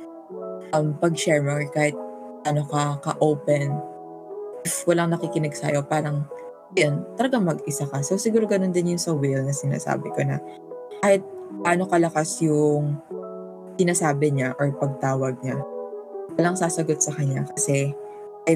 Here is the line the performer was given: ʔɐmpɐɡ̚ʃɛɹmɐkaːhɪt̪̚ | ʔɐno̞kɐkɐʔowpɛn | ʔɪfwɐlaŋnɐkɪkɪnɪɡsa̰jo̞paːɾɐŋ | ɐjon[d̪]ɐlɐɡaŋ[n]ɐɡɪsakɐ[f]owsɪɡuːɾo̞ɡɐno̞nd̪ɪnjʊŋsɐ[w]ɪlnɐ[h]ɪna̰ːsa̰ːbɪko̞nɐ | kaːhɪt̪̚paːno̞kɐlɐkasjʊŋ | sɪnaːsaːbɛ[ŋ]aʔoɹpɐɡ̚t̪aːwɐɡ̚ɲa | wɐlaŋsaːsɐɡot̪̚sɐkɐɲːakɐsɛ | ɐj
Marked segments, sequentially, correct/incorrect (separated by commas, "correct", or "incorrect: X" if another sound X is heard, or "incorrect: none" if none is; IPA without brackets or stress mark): incorrect: t̪, incorrect: m, incorrect: s, correct, incorrect: s, incorrect: ɲ